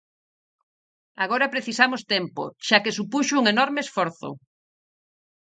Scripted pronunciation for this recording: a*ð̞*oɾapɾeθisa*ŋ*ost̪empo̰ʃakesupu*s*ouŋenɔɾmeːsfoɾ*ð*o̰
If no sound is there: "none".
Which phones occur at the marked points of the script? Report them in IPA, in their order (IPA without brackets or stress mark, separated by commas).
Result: ɣ̞, m, ʃ, θ